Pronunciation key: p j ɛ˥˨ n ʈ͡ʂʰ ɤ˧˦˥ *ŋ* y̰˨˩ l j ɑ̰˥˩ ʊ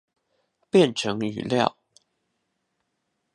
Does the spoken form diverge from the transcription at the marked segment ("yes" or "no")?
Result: no